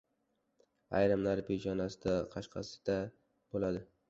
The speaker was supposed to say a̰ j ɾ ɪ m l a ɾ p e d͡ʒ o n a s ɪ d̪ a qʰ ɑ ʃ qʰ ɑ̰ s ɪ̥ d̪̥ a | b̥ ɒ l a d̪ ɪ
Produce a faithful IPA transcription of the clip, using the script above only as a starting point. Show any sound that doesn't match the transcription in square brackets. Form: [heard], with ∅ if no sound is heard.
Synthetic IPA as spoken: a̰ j ɾ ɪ m l a ɾ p e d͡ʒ [ɒ] n a s ɪ d̪ a qʰ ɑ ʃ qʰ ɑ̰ s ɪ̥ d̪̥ a | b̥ [o] l a d̪ ɪ